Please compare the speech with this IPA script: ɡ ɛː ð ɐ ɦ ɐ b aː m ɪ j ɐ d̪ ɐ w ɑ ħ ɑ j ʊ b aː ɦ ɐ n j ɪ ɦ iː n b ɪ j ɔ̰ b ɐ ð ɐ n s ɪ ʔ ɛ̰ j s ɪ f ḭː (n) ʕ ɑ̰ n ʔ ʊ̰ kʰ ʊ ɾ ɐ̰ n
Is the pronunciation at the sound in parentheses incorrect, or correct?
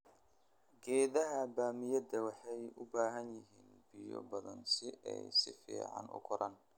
incorrect: none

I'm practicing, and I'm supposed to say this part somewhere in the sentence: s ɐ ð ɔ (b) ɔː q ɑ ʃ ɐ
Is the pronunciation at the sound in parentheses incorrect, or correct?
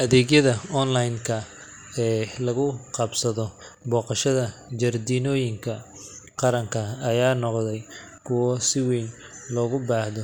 correct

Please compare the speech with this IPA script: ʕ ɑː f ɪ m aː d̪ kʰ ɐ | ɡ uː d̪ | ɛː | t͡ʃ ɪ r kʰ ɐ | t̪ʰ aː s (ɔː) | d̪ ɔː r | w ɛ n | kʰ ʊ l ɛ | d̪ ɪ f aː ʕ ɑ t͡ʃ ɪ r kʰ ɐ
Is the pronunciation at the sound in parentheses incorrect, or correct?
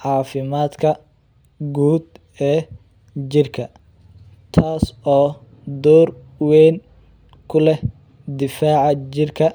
correct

